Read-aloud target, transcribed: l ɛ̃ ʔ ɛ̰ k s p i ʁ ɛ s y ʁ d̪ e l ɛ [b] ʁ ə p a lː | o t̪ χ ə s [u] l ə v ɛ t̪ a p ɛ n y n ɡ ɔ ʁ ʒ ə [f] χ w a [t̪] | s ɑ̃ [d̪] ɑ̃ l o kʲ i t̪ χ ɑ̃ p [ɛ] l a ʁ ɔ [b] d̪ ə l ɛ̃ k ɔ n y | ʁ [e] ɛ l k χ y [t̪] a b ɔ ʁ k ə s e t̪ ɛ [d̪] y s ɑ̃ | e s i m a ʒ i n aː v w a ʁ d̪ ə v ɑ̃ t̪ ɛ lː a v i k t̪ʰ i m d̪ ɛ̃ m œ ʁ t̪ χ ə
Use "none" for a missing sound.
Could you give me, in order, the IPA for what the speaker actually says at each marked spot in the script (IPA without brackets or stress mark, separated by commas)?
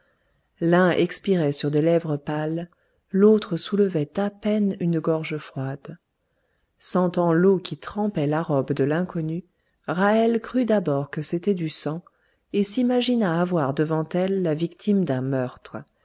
v, u, f, d̪, t̪, ɛ, b, a, d̪, d̪